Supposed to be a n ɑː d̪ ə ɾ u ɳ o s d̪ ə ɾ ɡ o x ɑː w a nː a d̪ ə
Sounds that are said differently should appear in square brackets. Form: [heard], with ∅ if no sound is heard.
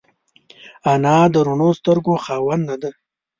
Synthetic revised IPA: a n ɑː d̪ ə ɾ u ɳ o s [t̪] ə ɾ ɡ o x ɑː w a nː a d̪ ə